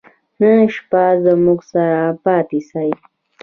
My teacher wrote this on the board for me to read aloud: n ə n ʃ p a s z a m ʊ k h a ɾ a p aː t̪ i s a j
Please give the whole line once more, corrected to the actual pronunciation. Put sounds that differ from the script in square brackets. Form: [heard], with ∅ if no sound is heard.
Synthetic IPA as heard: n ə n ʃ p a [∅] z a m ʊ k [s] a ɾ a p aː t̪ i s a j